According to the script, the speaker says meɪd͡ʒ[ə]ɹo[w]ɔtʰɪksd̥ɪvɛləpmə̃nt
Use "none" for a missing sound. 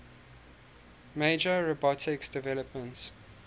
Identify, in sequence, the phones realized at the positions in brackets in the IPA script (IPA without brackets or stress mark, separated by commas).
ə, b